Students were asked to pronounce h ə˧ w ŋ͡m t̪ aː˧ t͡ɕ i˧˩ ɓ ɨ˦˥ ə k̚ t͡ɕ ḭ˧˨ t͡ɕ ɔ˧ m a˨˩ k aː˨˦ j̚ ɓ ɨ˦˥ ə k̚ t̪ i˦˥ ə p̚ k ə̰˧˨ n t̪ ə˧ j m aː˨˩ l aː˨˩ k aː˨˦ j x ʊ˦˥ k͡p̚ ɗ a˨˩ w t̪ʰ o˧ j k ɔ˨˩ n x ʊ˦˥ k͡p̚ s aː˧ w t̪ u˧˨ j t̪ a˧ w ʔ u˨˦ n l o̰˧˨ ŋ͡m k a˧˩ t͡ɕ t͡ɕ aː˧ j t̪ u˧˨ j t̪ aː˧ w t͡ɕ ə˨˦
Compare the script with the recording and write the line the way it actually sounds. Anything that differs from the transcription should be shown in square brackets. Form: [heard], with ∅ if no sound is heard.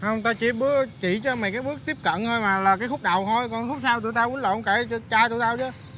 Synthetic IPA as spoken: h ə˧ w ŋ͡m t̪ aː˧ t͡ɕ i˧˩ ɓ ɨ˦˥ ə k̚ t͡ɕ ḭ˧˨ t͡ɕ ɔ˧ m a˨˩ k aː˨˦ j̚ ɓ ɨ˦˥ ə k̚ t̪ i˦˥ ə p̚ k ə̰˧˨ n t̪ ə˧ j m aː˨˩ l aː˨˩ k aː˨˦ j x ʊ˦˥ k͡p̚ ɗ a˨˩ w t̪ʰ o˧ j k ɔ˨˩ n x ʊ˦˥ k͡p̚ s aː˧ w t̪ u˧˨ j t̪ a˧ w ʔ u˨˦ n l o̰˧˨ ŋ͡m k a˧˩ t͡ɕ t͡ɕ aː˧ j t̪ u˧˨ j t̪ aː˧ w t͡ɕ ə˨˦